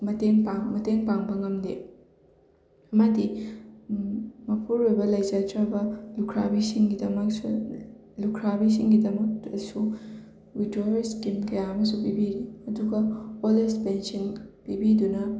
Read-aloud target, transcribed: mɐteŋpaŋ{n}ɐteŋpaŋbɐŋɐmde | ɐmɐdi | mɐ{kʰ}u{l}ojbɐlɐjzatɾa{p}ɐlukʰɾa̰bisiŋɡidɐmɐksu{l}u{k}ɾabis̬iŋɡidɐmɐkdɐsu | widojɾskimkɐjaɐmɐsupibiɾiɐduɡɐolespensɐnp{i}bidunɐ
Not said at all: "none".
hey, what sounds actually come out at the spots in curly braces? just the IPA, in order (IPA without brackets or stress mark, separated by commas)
m, pʰ, ɾ, b, l, kʰ, i